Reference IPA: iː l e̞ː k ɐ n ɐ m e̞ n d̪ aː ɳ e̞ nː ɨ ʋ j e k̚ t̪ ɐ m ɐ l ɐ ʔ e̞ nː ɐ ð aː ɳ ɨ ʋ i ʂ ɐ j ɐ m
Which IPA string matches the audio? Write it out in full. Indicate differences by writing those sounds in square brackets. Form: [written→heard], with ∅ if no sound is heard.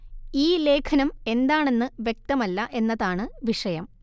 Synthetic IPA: iː l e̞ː [k→kʰ] ɐ n ɐ m e̞ n d̪ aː ɳ e̞ nː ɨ ʋ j e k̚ t̪ ɐ m ɐ [l→lː] ɐ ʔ e̞ nː ɐ ð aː ɳ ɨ ʋ i ʂ ɐ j ɐ m